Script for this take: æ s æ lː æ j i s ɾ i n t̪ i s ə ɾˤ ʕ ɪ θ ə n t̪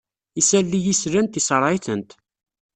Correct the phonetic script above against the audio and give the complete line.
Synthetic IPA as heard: i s æ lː i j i s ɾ æ n t̪ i s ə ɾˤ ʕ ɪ θ ə n t̪